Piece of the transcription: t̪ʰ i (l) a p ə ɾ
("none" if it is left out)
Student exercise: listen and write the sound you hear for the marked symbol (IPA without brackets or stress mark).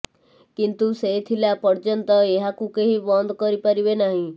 l